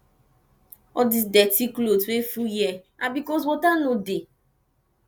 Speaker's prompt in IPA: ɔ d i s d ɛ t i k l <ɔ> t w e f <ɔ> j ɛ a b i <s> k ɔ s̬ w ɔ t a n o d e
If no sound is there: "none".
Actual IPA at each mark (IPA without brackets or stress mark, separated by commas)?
o, u, none